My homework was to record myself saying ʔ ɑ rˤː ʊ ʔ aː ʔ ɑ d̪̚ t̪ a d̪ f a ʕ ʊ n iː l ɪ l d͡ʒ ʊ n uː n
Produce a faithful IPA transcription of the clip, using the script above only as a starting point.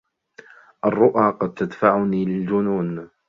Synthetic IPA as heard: ʔ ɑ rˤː ʊ ʔ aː q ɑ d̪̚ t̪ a d̪ f a ʕ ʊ n iː l ɪ l d͡ʒ ʊ n uː n